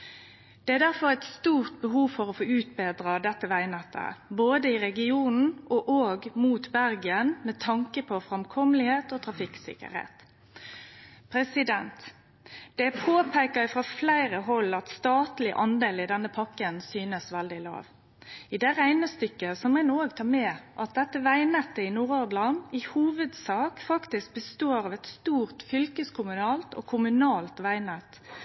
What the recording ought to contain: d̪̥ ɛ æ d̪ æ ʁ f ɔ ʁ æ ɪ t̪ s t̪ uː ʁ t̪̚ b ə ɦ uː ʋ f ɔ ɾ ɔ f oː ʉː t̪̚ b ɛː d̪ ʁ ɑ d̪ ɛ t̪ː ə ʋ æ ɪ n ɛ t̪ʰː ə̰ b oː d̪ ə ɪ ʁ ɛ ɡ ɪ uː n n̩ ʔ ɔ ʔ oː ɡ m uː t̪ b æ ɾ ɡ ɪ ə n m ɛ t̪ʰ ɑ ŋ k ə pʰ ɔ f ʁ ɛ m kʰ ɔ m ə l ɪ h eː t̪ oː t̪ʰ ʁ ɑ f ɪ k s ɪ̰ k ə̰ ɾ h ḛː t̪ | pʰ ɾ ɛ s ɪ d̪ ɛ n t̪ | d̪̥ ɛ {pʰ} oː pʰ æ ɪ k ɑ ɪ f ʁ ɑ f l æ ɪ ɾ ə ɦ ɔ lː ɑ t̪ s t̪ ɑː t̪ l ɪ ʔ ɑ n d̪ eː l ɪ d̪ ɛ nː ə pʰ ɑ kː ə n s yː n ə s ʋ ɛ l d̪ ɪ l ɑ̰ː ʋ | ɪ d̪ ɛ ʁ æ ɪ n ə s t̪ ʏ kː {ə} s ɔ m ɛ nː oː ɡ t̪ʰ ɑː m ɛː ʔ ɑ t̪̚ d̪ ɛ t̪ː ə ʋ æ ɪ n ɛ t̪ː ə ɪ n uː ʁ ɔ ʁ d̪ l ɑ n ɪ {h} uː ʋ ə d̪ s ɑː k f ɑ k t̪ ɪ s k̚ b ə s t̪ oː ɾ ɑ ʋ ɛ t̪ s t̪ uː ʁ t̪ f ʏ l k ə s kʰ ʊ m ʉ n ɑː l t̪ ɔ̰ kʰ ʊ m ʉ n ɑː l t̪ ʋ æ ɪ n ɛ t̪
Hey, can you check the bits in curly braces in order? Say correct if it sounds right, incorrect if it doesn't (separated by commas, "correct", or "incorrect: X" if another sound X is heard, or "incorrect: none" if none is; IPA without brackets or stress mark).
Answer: correct, correct, correct